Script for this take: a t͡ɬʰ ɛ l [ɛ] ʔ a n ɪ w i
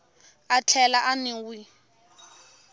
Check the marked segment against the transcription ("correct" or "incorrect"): incorrect